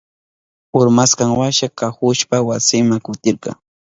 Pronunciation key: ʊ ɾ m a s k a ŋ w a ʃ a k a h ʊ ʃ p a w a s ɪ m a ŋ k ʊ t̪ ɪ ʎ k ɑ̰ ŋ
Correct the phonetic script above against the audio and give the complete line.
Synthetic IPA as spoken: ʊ ɾ m a s k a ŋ w a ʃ a k a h ʊ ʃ p a w a s ɪ m a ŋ k ʊ t̪ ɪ ɾ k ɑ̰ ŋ